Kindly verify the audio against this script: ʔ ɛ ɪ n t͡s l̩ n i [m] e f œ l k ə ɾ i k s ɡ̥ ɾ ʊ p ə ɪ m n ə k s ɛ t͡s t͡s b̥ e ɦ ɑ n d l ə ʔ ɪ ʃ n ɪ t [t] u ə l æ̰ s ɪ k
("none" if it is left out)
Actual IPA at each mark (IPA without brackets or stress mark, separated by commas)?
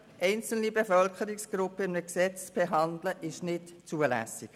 b, t͡s